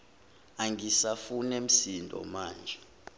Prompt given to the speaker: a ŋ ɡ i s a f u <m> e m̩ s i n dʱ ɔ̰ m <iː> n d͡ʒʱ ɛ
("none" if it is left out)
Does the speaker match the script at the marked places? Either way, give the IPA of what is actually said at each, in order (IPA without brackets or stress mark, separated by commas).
n, aː